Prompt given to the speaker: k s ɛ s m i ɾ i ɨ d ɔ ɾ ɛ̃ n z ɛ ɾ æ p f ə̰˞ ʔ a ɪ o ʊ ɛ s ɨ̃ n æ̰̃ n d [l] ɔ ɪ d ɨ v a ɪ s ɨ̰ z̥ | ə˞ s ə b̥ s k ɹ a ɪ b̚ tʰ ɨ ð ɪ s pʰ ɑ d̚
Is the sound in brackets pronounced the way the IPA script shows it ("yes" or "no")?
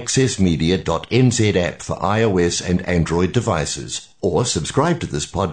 no